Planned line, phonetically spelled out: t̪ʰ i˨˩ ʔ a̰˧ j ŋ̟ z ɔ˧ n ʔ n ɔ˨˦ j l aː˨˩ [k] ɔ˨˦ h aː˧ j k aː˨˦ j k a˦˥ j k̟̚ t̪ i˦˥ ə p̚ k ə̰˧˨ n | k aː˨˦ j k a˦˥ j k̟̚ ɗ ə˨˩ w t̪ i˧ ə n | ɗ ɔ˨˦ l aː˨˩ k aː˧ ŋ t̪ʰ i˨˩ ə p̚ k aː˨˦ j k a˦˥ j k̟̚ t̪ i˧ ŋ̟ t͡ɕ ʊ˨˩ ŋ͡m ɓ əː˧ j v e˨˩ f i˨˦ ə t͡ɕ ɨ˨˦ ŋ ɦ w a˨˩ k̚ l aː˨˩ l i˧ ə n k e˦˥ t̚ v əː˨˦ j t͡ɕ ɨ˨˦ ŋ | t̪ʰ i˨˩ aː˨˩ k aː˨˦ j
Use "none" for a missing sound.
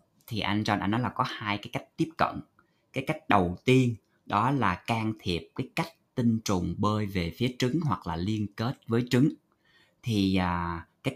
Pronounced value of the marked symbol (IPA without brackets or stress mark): k